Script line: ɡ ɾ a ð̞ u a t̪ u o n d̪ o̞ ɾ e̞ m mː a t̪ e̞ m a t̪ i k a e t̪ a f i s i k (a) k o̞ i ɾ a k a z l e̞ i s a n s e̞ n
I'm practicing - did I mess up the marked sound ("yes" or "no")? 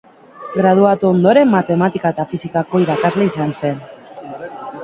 no